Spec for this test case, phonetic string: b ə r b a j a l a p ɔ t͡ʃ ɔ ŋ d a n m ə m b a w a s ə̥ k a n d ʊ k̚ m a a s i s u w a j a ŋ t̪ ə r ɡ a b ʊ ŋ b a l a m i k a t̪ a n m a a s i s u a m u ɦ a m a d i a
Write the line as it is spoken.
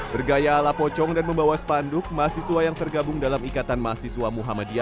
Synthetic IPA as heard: b ə r ɡ a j a l a p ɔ t͡ʃ ɔ ŋ d a n m ə m b a w a s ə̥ p a n d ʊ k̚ m a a s i s u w a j a ŋ t̪ ə r ɡ a b ʊ ŋ d a l a m i k a t̪ a n m a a s i s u a m u ɦ a m a d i a